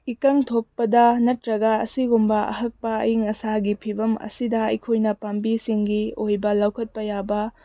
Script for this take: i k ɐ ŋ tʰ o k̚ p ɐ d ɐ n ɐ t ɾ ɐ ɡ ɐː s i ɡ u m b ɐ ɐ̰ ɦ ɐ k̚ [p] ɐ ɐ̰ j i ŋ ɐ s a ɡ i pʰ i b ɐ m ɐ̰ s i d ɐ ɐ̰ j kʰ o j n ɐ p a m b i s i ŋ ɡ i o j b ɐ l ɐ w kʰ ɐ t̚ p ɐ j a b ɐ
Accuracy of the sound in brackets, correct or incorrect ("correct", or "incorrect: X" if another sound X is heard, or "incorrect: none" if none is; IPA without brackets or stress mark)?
correct